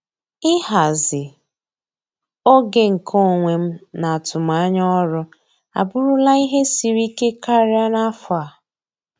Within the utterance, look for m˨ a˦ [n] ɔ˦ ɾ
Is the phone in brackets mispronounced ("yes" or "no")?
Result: yes